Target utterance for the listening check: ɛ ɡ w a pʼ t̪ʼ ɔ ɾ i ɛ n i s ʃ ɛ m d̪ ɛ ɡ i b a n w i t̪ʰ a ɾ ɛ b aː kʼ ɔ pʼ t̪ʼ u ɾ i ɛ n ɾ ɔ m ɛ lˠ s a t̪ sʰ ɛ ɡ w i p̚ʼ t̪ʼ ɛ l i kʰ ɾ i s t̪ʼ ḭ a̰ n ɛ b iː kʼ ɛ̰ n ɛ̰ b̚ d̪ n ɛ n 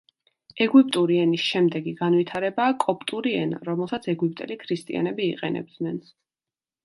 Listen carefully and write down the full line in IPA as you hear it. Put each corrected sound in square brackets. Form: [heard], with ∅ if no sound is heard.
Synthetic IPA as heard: ɛ ɡ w [i] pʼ t̪ʼ [u] ɾ i ɛ n i s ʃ ɛ m d̪ ɛ ɡ i [ɡ] a n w i t̪ʰ a ɾ ɛ b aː kʼ ɔ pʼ t̪ʼ u ɾ i ɛ n ɾ ɔ m ɛ lˠ s a t̪ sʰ ɛ ɡ w i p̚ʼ t̪ʼ ɛ l i kʰ ɾ i s t̪ʼ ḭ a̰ n ɛ b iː [qʼ] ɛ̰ n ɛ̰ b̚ d̪ n ɛ n